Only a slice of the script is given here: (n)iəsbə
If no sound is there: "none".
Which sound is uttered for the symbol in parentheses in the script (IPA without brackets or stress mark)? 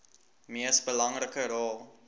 m